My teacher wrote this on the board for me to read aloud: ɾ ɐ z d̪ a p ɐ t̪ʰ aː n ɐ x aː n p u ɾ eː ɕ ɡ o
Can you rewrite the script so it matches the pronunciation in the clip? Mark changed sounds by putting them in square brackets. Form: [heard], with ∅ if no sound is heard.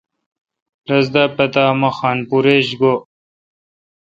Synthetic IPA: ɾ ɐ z d̪ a p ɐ [t̪] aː [m] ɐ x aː n p u ɾ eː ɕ ɡ o